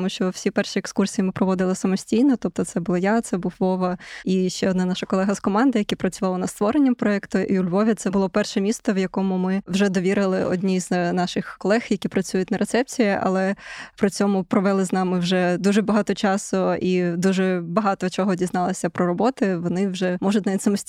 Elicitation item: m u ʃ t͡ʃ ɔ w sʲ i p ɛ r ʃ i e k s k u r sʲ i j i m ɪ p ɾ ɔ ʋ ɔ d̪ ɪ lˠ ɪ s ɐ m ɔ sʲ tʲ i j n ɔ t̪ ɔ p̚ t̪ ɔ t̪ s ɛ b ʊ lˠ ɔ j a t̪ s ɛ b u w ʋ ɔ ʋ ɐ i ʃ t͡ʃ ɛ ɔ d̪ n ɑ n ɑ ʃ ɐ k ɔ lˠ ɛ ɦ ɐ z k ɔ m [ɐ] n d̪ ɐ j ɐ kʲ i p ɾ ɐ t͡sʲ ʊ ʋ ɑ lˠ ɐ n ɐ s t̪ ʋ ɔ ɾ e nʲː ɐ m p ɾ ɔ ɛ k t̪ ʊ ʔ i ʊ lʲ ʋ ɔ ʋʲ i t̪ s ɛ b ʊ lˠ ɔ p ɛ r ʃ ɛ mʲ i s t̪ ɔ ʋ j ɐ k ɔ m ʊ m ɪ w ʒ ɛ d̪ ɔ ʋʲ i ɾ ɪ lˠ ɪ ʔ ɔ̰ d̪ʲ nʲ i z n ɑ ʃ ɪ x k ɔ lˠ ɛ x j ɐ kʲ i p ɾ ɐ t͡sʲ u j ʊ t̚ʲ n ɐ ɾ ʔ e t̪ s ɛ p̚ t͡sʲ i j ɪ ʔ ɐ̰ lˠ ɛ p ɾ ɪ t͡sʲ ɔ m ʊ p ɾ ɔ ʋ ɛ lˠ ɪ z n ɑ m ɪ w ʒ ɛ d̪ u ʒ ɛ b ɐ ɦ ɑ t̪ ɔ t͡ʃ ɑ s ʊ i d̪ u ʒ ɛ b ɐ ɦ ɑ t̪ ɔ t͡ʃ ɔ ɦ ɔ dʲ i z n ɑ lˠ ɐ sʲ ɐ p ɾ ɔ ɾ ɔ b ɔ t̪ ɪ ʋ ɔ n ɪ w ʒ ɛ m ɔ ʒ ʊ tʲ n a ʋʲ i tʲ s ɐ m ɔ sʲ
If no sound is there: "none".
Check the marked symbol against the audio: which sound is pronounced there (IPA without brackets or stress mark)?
ɑ